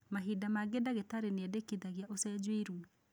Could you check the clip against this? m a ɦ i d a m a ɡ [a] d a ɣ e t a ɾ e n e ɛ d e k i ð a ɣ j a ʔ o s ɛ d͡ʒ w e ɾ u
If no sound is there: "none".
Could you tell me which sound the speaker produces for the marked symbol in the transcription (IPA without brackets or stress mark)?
e